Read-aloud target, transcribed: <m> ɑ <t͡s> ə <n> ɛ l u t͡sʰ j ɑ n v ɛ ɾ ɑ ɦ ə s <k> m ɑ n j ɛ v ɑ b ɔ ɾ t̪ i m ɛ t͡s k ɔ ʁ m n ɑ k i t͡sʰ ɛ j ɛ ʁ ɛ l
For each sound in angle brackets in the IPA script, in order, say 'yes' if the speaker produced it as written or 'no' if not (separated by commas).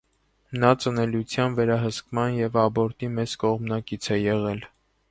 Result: no, yes, yes, yes